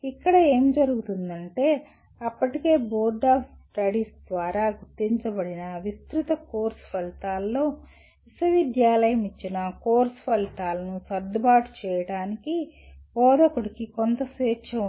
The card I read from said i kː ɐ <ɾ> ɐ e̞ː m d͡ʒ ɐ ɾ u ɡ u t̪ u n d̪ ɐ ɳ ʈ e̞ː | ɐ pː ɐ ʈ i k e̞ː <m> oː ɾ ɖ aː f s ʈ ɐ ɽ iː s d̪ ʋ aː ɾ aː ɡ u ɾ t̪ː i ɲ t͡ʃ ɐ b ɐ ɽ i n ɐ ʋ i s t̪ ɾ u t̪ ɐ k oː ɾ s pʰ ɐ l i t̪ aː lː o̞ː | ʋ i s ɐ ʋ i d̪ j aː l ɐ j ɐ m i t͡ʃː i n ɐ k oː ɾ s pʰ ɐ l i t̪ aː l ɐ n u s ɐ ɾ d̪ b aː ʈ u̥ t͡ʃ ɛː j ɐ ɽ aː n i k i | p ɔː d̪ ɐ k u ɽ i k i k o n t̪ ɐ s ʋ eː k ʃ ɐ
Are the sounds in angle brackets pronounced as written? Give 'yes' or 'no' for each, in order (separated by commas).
no, no